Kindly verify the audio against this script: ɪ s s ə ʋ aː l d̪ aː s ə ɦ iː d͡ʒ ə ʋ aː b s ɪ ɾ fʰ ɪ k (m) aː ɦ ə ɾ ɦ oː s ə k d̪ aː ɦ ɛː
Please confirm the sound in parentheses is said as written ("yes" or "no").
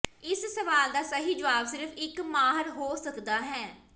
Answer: yes